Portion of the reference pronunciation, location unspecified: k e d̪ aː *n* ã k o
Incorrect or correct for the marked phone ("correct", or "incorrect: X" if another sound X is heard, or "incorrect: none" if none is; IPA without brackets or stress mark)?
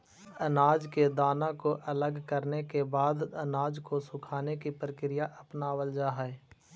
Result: correct